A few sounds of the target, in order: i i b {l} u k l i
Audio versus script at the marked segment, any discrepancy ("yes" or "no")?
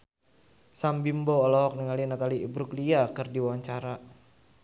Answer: yes